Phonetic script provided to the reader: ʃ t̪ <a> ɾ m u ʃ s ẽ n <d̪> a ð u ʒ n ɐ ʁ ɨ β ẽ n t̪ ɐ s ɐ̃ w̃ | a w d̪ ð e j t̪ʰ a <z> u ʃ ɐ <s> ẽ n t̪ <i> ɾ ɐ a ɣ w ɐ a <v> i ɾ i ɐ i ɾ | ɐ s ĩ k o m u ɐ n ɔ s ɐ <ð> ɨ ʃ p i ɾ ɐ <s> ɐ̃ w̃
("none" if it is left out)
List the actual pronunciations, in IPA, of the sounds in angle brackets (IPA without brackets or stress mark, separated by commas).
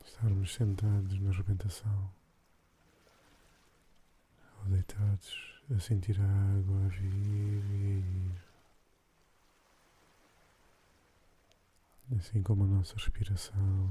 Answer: a, t̪, ð, s, i, v, ʁ, s